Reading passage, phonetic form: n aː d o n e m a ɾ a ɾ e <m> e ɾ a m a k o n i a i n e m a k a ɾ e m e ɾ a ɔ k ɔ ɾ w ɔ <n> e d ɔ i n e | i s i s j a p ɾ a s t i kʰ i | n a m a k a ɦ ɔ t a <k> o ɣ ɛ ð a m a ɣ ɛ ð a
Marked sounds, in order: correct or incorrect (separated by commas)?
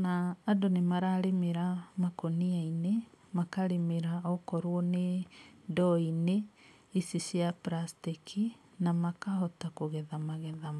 correct, correct, correct